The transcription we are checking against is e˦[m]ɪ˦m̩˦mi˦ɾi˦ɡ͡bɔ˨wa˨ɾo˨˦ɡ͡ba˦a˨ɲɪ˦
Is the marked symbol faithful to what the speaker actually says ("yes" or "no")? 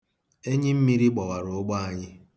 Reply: no